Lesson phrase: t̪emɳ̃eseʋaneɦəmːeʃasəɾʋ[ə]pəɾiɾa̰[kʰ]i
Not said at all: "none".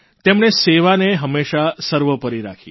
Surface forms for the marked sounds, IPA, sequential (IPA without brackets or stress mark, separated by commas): ə, kʰ